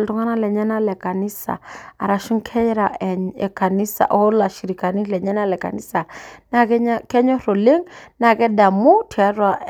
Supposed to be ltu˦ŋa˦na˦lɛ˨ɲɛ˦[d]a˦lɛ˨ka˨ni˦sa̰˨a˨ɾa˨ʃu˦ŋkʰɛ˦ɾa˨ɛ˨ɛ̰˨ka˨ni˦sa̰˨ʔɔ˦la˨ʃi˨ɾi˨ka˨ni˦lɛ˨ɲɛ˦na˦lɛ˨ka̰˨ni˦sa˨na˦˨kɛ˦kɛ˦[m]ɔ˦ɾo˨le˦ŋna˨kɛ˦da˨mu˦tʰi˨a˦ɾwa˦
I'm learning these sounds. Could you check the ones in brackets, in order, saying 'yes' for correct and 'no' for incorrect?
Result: no, no

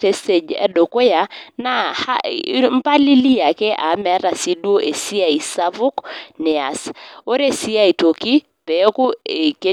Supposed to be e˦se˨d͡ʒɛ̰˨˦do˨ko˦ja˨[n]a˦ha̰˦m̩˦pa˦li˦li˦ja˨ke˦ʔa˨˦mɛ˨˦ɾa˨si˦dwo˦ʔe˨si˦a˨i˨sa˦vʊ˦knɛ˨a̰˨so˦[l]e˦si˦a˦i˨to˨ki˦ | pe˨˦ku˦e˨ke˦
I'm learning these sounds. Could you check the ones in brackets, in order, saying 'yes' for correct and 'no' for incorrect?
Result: yes, no

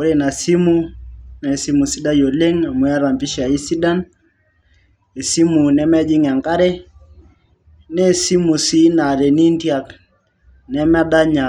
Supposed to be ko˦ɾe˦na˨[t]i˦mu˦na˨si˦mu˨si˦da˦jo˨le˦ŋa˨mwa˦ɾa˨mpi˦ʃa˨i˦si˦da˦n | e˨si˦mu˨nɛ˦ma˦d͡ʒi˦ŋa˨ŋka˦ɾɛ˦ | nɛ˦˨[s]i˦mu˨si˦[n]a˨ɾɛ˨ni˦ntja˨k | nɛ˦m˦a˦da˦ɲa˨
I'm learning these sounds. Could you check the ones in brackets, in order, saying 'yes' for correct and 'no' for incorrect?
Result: no, yes, yes

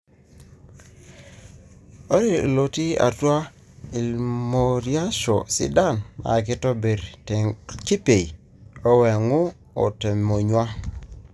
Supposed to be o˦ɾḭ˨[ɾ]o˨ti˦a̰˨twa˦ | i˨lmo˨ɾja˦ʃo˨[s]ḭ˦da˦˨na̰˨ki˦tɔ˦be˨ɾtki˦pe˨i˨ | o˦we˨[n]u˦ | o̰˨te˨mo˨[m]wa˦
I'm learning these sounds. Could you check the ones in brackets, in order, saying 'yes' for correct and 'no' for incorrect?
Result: no, yes, no, no

